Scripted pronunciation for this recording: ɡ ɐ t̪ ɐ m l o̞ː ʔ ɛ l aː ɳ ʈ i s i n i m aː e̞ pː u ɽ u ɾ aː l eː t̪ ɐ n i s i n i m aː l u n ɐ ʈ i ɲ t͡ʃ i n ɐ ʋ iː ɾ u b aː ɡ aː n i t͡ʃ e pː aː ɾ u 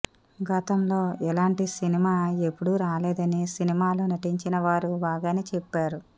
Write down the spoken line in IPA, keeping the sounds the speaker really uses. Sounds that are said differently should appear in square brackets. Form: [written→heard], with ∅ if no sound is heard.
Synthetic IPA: ɡ ɐ t̪ ɐ m l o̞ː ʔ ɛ l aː ɳ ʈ i s i n i m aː e̞ pː u ɽ u ɾ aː l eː [t̪→d̪] ɐ n i s i n i m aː l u n ɐ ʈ i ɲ t͡ʃ i n ɐ ʋ [iː→aː] ɾ u b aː ɡ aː n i t͡ʃ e pː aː ɾ u